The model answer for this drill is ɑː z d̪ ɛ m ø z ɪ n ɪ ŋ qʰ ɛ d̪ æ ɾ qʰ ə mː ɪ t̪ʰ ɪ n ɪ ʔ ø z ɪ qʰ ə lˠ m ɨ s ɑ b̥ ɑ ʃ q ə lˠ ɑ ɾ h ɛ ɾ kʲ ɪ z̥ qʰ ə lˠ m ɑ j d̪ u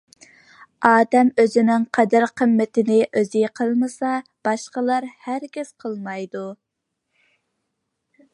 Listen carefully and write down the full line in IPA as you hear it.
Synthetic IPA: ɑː d̪ ɛ m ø z ɪ n ɪ ŋ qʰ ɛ d̪ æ ɾ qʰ ə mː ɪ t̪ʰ ɪ n ɪ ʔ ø z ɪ qʰ ə lˠ m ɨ s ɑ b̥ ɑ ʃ q ə lˠ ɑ ɾ h æ ɾ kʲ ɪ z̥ qʰ ə lˠ m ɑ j d̪ u